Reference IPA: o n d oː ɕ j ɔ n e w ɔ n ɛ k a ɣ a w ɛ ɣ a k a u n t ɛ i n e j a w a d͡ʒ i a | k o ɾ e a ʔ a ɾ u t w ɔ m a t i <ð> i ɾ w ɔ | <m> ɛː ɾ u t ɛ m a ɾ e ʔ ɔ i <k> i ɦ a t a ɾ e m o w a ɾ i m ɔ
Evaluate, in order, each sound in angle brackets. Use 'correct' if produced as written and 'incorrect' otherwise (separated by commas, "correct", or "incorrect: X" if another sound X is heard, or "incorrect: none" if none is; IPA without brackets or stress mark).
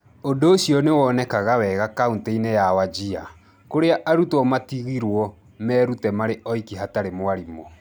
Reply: incorrect: ɣ, correct, correct